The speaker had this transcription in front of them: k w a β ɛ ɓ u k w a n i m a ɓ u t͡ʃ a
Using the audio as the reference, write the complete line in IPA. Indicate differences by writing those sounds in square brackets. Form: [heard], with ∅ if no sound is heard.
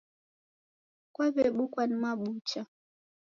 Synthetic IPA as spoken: k w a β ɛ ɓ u k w a n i m a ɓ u t͡ʃ a